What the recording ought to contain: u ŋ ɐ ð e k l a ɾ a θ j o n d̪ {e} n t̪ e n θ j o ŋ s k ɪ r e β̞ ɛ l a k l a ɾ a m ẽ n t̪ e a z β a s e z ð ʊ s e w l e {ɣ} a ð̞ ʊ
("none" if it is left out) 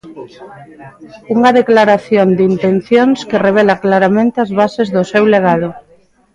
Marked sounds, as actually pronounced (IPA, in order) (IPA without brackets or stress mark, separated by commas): i, ɣ